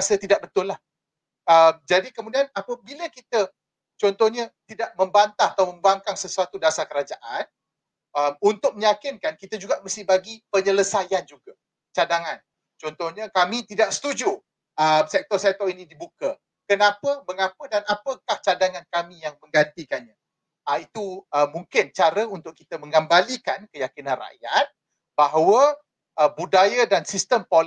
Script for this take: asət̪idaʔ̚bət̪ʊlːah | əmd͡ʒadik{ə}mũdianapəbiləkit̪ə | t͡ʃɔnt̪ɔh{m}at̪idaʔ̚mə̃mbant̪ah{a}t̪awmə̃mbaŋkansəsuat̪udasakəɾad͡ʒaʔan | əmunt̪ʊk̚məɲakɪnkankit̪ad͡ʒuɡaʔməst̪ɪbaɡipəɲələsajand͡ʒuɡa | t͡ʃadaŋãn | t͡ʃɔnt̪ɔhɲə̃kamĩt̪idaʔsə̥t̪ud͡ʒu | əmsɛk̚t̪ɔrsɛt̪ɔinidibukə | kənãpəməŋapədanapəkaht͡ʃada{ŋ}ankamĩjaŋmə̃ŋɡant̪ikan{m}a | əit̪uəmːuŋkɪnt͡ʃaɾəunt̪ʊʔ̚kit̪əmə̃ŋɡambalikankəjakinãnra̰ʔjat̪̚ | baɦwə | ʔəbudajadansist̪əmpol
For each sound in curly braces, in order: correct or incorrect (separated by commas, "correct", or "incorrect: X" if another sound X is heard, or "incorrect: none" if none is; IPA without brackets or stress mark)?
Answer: correct, incorrect: ɲ, correct, correct, incorrect: ɲ